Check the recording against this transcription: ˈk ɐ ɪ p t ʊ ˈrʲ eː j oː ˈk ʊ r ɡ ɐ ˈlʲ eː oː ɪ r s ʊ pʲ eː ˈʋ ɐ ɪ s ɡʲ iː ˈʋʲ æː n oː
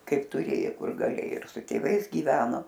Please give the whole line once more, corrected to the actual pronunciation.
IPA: ˈk ɐ ɪ p t ʊ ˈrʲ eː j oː ˈk ʊ r ɡ ɐ ˈlʲ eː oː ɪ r s ʊ tʲ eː ˈʋ ɐ ɪ s ɡʲ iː ˈʋʲ æː n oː